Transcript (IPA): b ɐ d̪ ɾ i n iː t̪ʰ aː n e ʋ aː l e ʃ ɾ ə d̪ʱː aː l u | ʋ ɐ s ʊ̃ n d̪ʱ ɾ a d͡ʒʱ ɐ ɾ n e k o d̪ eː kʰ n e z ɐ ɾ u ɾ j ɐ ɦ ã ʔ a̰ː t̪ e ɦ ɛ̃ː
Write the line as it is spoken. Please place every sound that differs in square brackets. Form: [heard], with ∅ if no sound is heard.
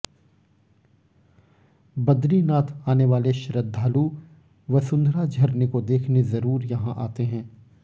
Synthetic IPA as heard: b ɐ d̪ ɾ i n [aː] t̪ʰ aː n e ʋ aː l e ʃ ɾ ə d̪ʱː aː l u | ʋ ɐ s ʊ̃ n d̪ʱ ɾ a d͡ʒʱ ɐ ɾ n e k o d̪ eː kʰ n e z ɐ ɾ [uː] ɾ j ɐ ɦ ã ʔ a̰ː t̪ e ɦ ɛ̃ː